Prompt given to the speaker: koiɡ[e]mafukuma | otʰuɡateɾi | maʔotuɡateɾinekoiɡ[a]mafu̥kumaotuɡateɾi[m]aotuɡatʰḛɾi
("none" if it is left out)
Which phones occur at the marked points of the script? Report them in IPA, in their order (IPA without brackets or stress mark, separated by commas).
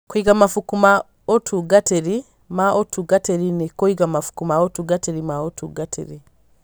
a, a, m